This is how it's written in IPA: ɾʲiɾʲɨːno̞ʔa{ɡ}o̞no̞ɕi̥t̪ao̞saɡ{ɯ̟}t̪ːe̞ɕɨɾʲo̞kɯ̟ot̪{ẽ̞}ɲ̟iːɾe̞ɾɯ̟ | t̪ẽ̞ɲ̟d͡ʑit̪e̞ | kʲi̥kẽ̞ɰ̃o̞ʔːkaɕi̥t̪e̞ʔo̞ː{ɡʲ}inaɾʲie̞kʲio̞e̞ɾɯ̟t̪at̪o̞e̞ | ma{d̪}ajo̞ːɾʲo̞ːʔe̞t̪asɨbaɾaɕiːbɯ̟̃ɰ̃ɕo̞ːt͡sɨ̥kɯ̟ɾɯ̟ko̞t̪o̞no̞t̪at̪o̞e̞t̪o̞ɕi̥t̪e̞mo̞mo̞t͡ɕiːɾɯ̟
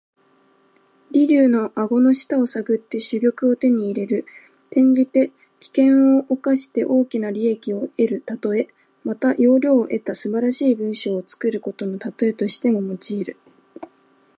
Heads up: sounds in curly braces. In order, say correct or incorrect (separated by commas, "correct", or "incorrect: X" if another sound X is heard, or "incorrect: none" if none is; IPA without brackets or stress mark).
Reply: correct, correct, incorrect: e̞, incorrect: kʲ, incorrect: t̪